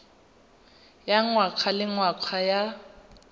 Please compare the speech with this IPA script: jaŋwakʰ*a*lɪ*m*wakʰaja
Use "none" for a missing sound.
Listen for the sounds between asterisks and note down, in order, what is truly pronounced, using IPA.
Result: a, ŋ

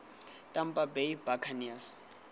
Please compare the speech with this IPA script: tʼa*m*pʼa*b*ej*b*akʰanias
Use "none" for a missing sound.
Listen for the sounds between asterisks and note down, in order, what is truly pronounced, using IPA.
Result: m, b, b

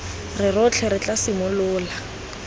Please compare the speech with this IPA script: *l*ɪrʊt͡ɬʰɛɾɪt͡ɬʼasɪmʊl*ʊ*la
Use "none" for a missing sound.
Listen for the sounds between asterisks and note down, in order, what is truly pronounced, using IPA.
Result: r, ʊː

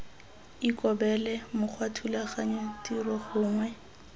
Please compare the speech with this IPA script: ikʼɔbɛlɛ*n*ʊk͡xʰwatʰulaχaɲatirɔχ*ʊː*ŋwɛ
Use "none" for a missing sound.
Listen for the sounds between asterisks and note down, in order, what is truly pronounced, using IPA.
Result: m, ʊː

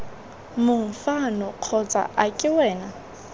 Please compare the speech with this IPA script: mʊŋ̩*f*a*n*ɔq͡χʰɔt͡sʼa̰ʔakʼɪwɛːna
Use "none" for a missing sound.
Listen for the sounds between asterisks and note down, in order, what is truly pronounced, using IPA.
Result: f, n

